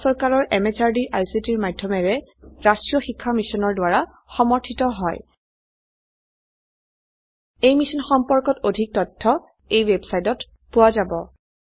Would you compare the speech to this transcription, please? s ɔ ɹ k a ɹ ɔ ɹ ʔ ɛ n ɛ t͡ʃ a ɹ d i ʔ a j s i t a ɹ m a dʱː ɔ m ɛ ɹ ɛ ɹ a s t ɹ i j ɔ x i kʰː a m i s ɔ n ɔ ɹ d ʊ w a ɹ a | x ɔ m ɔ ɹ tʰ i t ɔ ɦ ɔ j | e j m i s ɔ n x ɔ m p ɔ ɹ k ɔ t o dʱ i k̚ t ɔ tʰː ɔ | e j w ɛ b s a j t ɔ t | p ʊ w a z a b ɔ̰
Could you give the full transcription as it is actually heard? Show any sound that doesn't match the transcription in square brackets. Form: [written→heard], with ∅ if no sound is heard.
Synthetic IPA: s ɔ ɹ k a ɹ ɔ ɹ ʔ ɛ [n→m] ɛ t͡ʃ a ɹ d i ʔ a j s i t [a→i] ɹ m a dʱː ɔ m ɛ ɹ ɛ ɹ a s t ɹ i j ɔ x i kʰː a m i s ɔ n ɔ ɹ d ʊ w a ɹ a | x ɔ m ɔ ɹ tʰ i t ɔ ɦ ɔ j | e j m i s ɔ n x ɔ m p ɔ ɹ k ɔ t o dʱ i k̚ t ɔ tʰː ɔ | e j w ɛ b s a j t ɔ t | p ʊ w a z a b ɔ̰